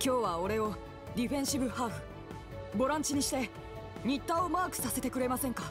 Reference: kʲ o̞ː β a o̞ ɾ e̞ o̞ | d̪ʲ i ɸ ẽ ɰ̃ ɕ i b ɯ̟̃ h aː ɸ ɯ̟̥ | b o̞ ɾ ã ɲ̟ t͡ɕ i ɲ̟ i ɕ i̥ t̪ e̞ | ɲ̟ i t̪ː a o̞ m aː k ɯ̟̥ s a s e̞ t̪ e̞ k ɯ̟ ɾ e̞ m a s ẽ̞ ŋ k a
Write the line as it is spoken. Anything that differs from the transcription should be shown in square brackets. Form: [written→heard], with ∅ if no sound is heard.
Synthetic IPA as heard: kʲ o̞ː β a o̞ ɾ e̞ o̞ | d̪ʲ i ɸ ẽ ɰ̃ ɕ i b [ɯ̟̃→ɯ̟] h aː ɸ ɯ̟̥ | b o̞ ɾ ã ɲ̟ t͡ɕ i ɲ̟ i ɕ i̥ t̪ e̞ | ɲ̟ i t̪ː a o̞ m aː k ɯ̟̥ s a s e̞ t̪ e̞ k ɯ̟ ɾ e̞ m a s ẽ̞ ŋ k a